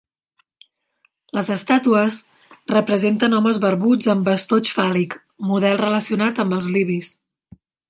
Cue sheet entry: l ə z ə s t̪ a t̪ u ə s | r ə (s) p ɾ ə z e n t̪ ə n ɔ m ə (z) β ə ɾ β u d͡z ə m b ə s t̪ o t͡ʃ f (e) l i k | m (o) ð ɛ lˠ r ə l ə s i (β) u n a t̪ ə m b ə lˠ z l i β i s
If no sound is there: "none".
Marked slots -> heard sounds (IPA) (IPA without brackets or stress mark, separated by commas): none, z, a, u, none